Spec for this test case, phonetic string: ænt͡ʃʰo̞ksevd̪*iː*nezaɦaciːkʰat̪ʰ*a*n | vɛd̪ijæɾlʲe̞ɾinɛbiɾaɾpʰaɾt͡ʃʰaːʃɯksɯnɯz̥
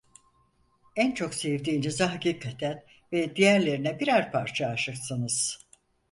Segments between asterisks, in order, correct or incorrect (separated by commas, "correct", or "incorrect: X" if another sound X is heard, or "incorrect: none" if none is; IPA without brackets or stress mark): correct, incorrect: æ